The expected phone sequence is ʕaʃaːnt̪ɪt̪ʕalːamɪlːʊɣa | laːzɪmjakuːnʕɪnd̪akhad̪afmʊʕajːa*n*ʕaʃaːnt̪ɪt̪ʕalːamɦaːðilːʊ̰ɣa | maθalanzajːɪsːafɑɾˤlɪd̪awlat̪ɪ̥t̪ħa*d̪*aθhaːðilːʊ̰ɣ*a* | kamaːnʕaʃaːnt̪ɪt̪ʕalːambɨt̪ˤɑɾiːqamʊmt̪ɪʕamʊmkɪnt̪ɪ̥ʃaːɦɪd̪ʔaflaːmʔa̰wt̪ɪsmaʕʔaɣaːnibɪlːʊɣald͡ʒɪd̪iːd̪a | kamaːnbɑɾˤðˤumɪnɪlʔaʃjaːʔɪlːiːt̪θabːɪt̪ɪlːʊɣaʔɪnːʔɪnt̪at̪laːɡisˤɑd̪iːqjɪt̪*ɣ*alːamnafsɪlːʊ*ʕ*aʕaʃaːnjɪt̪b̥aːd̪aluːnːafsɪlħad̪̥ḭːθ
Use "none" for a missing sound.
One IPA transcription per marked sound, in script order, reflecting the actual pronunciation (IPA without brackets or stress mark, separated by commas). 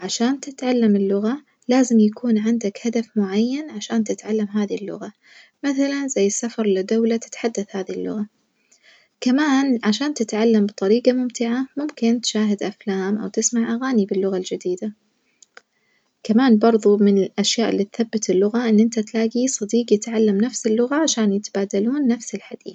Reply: n, d̪ː, a, ʕ, ɣ